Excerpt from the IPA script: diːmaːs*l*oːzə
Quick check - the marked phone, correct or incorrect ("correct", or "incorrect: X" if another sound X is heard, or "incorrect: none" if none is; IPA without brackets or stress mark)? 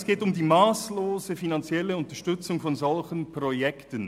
correct